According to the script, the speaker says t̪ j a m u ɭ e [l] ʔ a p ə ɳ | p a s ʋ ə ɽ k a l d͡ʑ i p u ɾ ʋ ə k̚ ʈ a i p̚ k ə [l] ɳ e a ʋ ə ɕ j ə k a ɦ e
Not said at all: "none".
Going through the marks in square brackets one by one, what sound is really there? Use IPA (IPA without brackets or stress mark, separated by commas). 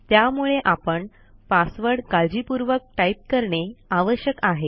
none, ɾ